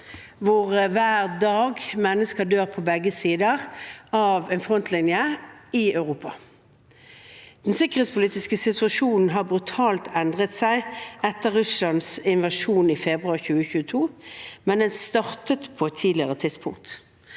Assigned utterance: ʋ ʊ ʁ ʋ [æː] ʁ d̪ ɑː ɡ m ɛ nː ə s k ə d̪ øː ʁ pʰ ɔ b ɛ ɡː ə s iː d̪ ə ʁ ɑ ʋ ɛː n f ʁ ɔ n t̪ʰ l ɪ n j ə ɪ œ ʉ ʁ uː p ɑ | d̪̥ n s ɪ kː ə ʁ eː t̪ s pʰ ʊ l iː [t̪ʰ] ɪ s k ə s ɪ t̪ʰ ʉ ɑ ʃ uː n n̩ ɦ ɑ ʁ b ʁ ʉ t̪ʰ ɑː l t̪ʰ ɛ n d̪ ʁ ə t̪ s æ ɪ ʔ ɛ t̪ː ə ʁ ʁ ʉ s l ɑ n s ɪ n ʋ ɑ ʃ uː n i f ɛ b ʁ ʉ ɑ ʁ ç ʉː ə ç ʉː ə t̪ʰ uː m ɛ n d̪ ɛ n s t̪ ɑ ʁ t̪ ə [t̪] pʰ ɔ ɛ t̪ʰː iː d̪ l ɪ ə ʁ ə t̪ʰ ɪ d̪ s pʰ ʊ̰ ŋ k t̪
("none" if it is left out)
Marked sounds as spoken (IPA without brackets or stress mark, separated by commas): æː, t̪, t̪